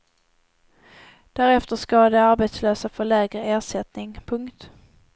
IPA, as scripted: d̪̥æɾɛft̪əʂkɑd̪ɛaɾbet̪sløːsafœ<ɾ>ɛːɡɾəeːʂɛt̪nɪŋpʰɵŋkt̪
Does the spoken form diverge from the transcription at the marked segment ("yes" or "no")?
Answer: yes